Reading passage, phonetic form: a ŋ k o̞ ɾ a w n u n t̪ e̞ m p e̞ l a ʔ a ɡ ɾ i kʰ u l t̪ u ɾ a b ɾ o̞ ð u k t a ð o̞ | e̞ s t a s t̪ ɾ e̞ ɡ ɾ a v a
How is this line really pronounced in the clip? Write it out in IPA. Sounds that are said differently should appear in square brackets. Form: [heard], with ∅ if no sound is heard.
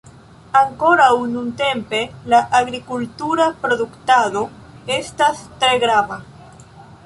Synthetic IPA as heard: a ŋ k o̞ ɾ a w n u n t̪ e̞ m p e̞ l a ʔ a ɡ ɾ i [k] u l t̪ u ɾ a [p] ɾ o̞ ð u k t a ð o̞ | e̞ s t a s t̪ ɾ e̞ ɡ ɾ a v a